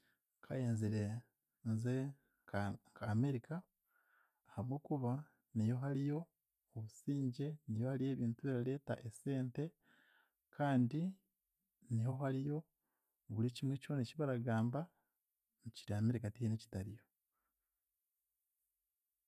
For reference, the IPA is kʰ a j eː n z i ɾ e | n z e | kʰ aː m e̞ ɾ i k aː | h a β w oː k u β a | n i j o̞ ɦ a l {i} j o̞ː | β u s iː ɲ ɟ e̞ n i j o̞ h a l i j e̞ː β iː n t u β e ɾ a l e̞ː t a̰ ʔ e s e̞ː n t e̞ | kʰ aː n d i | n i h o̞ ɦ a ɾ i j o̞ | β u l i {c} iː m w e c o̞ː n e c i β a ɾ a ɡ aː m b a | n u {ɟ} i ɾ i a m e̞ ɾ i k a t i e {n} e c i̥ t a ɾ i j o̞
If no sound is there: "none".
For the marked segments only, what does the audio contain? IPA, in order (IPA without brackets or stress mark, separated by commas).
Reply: i, c, c, n